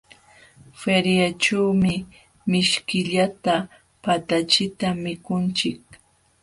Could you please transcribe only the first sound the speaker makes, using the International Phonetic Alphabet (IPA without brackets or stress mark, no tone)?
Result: f